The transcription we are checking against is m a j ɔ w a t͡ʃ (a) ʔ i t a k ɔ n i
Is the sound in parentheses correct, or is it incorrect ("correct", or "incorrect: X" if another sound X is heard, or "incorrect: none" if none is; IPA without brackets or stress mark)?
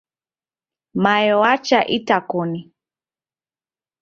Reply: correct